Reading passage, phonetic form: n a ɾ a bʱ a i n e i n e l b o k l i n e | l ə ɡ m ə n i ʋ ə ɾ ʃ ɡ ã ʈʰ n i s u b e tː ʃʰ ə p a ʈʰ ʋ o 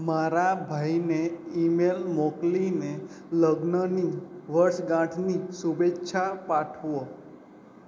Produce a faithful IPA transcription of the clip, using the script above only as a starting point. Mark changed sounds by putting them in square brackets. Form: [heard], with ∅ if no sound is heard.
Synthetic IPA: [m] a ɾ a bʱ a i n e i [m] e l [m] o k l i n e | l ə ɡ [n] ə n i ʋ ə ɾ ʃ ɡ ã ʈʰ n i s u b e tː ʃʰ [a] p a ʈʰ ʋ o